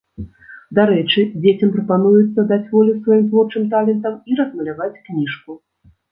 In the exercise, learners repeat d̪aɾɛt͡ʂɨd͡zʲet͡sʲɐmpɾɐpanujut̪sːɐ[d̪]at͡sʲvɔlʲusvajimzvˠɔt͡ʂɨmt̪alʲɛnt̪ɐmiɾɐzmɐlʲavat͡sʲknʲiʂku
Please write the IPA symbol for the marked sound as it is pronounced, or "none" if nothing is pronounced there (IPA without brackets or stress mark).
d̪